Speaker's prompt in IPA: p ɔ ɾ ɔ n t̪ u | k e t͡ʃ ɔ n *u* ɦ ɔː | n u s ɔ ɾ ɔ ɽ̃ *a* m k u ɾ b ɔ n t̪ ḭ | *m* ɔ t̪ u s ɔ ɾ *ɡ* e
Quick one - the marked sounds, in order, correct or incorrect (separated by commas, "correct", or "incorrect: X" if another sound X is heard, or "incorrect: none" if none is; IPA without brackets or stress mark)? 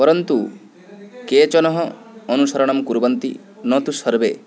incorrect: ɔ, correct, incorrect: n, incorrect: b